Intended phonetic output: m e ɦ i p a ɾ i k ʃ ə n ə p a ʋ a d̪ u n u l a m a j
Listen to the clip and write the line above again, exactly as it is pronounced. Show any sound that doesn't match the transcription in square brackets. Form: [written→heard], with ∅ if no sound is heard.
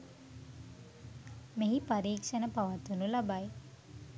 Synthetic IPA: m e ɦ i p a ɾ [i→iː] k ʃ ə n ə p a ʋ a [d̪→t̪] u n u l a [m→b] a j